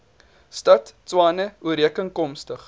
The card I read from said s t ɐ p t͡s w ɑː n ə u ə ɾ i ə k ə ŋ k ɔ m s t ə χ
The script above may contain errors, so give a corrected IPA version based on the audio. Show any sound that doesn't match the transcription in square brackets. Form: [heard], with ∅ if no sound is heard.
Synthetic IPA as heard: s t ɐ [t] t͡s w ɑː n ə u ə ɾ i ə k ə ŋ k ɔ m s t ə χ